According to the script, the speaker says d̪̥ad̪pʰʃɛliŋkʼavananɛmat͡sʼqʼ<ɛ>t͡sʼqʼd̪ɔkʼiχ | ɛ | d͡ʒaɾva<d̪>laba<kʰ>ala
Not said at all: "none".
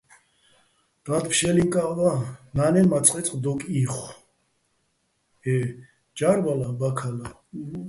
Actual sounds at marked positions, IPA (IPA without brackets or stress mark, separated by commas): ɛ, none, kʰ